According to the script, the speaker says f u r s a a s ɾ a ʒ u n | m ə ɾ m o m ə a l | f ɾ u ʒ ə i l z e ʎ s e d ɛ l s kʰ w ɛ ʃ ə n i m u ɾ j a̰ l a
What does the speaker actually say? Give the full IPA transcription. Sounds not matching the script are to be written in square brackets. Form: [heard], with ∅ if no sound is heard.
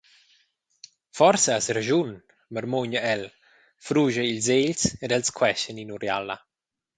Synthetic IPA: f [ɔ] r s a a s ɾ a ʒ u n | m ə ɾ m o [ɲ] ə [ɛ] l | f ɾ u ʒ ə i l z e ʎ s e d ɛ l s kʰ w ɛ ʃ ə n i [n] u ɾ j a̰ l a